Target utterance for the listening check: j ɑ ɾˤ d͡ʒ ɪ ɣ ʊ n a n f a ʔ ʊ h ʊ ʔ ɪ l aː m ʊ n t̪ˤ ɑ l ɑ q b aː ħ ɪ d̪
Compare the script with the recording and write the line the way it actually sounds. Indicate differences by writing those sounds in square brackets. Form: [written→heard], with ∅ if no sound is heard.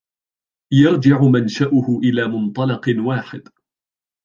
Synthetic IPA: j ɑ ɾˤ d͡ʒ ɪ [ɣ→ʕ] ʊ [n→m] a n [f→ʃ] a ʔ ʊ h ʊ ʔ ɪ l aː m ʊ n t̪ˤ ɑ l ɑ q [b→w] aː ħ ɪ d̪